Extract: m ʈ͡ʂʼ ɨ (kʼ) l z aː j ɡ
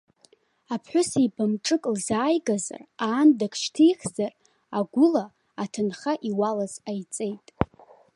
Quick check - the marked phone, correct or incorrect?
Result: correct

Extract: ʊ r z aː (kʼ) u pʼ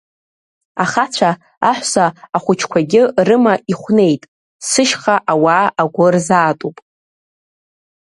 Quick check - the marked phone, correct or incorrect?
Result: incorrect: tʼ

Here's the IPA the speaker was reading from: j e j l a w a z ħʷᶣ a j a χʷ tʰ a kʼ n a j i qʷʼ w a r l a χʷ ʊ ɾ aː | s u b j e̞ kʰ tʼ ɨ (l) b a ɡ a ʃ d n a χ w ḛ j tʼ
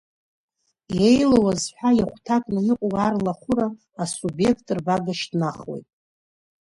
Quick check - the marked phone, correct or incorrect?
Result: incorrect: r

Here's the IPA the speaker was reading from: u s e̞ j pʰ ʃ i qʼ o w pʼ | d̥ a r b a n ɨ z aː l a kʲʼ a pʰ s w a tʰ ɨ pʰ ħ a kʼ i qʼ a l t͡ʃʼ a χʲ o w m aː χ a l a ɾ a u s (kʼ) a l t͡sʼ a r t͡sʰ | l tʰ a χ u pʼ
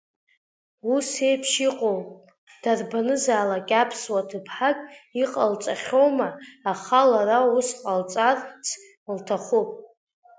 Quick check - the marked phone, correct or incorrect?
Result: incorrect: qʼ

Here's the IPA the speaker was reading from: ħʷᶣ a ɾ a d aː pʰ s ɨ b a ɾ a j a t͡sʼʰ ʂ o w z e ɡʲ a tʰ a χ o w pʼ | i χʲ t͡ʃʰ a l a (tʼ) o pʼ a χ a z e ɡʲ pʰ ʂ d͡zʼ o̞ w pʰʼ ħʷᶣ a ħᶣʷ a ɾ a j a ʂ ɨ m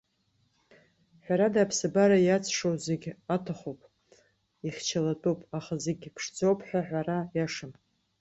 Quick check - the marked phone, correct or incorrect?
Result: correct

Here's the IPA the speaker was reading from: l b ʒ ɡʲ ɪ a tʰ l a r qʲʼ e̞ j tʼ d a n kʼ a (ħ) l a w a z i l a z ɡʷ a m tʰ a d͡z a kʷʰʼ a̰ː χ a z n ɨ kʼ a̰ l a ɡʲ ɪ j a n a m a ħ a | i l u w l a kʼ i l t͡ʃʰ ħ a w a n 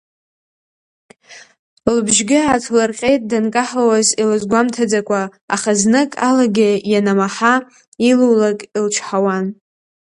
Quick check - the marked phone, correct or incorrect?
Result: correct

